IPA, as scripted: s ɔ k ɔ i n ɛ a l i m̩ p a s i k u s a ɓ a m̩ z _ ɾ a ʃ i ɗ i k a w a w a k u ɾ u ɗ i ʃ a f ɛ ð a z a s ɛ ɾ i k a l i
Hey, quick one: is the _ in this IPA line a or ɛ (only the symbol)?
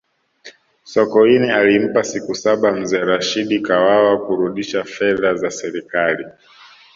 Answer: ɛ